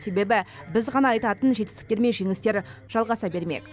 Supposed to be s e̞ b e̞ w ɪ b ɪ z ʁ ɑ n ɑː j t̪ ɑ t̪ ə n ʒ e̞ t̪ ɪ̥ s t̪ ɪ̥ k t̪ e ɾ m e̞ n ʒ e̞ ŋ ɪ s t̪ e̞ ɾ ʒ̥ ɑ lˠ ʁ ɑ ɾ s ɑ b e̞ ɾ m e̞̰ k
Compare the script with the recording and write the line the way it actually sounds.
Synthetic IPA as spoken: s e̞ b e̞ b ɪ b ɪ z ʁ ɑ n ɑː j t̪ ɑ t̪ ə n ʒ e̞ t̪ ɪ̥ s t̪ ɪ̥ k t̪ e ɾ m e̞ n ʒ e̞ ŋ ɪ s t̪ e̞ ɾ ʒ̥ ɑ lˠ ʁ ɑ s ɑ b e̞ ɾ m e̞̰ k